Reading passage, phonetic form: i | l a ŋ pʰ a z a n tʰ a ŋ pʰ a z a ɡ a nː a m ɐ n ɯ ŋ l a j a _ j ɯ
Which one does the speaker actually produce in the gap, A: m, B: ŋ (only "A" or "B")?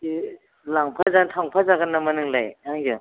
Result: B